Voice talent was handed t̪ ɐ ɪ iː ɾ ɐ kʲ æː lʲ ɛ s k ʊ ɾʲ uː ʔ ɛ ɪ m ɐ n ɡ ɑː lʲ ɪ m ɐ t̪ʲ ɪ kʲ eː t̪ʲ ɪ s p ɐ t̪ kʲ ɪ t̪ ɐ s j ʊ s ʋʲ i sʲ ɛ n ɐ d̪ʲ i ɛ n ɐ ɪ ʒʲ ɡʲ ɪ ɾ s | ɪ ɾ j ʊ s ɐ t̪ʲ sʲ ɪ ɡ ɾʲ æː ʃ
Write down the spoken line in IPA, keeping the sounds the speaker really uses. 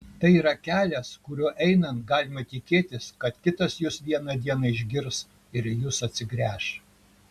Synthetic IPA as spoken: t̪ ɐ ɪ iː ɾ ɐ kʲ æː lʲ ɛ s k ʊ ɾʲ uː ʔ ɛ ɪ n ɐ n ɡ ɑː lʲ ɪ m ɐ t̪ʲ ɪ kʲ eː t̪ʲ ɪ s k ɐ t̪ kʲ ɪ t̪ ɐ s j ʊ s ʋʲ i ɛ n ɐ d̪ʲ i ɛ n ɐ ɪ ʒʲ ɡʲ ɪ ɾ s | ɪ ɾ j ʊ s ɐ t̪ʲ sʲ ɪ ɡ ɾʲ æː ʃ